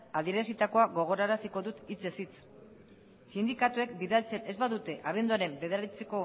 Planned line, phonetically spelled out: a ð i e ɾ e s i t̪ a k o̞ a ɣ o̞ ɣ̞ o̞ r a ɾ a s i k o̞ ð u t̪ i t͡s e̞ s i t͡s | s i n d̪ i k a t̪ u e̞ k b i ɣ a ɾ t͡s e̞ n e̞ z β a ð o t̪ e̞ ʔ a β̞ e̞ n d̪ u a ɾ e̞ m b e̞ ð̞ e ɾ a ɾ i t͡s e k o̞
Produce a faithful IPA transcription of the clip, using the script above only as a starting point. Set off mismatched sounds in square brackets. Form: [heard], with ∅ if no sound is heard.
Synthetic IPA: a ð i e ɾ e s i t̪ a k o̞ a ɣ o̞ ɣ̞ o̞ [ɾ] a ɾ a s i k o̞ ð u t̪ i t͡s e̞ s i t͡s | s i n d̪ i k a t̪ u e̞ k b i [ð] a [l] t͡s e̞ n e̞ z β a ð [u] t̪ e̞ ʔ a β̞ e̞ n d̪ u a ɾ e̞ m b e̞ ð̞ e ɾ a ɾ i t͡s e k o̞